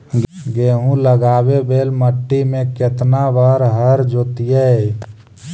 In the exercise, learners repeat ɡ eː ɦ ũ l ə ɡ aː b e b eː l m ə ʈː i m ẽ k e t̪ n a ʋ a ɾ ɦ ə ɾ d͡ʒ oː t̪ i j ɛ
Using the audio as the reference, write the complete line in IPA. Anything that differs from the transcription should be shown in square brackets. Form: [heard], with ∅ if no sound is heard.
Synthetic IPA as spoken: ɡ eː ɦ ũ l ə ɡ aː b e b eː l m ə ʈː i m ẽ k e t̪ n a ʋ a ɾ ɦ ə ɾ d͡ʒ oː t̪ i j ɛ